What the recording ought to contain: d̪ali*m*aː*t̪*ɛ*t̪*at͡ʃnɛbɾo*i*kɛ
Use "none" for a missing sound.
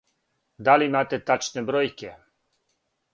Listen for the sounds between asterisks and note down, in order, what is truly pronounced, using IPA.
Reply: m, t̪, t̪, j

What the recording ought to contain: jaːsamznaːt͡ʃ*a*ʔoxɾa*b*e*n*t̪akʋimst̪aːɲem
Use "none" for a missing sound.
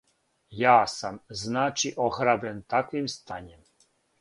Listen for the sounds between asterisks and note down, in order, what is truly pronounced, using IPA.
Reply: i, b, n

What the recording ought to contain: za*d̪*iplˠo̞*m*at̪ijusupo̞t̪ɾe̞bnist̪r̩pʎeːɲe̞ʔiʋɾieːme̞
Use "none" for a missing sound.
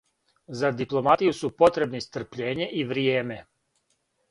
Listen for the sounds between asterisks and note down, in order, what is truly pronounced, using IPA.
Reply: d̪, m

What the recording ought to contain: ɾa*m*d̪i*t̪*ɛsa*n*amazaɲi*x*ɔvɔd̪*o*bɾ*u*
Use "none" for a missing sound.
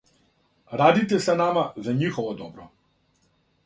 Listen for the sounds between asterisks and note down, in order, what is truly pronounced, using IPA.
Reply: none, t̪, n, x, ɔ, ɔ

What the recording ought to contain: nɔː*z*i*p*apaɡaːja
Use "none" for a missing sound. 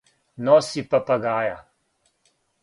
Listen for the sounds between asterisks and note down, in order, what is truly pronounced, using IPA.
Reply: s, p

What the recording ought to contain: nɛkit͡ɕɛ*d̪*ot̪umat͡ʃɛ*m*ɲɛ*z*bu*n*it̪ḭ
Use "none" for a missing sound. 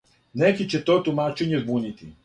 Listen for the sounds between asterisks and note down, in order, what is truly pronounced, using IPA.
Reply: t̪, none, z, n

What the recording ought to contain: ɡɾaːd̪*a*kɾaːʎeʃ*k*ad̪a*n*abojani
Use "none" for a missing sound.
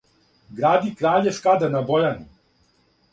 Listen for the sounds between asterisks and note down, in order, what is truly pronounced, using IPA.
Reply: i, k, n

